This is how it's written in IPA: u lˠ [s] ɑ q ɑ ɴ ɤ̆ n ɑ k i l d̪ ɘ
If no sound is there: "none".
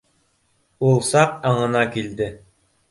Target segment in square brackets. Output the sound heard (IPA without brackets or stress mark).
s